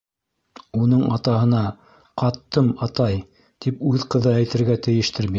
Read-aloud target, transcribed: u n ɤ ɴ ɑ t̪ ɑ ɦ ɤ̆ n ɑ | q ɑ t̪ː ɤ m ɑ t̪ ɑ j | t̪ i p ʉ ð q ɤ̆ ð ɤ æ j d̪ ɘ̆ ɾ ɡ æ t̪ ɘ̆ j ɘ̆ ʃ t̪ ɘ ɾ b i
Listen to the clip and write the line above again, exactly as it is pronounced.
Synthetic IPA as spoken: u n ɤ ɴ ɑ t̪ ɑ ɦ ɤ̆ n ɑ | q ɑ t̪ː ɤ m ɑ t̪ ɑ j | t̪ i p ʉ ð q ɤ̆ ð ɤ æ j t̪ ɘ̆ ɾ ɡ æ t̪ ɘ̆ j ɘ̆ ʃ t̪ ɘ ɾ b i